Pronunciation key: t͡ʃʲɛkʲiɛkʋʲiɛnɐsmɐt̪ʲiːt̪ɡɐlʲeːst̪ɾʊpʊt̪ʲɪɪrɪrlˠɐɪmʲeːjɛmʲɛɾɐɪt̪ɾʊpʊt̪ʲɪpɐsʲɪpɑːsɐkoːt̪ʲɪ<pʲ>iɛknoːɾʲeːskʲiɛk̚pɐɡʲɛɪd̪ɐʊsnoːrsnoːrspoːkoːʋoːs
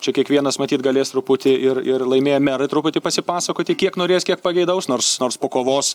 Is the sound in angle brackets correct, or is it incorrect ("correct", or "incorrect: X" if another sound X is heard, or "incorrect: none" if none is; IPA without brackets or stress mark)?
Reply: incorrect: kʲ